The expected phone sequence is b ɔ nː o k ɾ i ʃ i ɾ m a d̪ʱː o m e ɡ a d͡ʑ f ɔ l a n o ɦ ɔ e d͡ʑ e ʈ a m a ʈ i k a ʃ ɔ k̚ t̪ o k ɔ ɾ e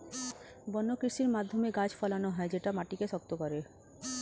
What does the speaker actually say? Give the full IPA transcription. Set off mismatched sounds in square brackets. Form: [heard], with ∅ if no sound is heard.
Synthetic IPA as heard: b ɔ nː o k ɾ i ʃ i ɾ m a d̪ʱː o m e ɡ a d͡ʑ f ɔ l a n o ɦ ɔ e d͡ʑ e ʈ a m a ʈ i k [e] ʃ ɔ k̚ t̪ o k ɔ ɾ e